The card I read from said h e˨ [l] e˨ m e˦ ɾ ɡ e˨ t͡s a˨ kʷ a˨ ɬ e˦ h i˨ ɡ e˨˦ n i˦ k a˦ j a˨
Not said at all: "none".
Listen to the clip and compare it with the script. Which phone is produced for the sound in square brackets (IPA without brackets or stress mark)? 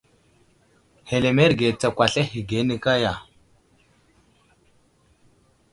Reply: l